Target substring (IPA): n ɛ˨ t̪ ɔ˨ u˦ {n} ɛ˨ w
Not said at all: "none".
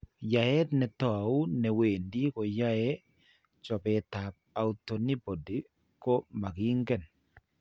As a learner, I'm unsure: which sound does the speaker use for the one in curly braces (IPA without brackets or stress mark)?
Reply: n